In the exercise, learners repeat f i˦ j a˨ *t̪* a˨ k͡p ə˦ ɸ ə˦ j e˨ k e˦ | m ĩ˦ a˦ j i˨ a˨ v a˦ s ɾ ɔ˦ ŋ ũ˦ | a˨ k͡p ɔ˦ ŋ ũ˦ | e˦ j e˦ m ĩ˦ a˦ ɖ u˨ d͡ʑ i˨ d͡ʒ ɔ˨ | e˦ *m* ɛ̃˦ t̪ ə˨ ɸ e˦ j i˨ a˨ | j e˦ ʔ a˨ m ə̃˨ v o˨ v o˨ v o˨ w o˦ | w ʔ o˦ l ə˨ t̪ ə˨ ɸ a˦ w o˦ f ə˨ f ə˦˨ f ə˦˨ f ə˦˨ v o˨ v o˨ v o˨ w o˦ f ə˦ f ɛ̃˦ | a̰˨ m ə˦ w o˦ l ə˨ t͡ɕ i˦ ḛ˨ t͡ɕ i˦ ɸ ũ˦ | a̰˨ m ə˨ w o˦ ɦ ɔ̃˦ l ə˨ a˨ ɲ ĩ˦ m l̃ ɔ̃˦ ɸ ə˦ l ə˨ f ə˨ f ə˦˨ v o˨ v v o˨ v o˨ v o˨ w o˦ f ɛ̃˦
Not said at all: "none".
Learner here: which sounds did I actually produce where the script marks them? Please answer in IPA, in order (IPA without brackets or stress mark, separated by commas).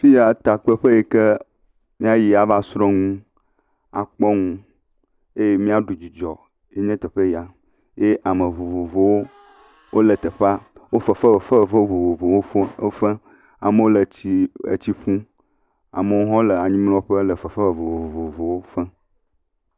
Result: t̪, ɲ